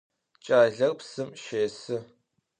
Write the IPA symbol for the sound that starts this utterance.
t͡ʃʼ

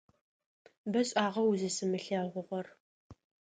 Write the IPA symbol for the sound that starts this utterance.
b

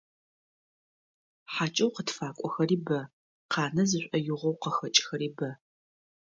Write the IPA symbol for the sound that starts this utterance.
ħ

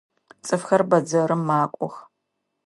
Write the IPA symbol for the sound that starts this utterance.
t͡sʼ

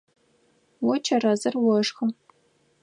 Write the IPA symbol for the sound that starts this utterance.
w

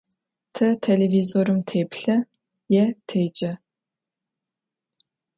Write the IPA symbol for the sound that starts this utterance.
tʰ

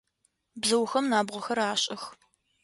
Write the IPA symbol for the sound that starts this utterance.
b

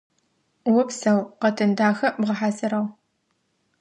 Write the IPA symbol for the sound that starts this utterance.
w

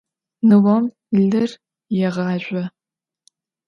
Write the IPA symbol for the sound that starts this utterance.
n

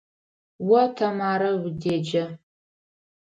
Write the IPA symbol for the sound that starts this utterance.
w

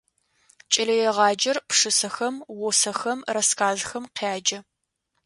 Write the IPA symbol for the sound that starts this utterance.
t͡ʃʼ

